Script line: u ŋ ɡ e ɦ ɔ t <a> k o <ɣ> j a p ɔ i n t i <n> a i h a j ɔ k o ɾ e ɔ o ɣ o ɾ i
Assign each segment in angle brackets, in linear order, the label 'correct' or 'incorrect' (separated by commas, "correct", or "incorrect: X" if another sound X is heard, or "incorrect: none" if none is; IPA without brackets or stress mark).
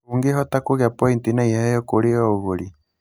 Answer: correct, correct, correct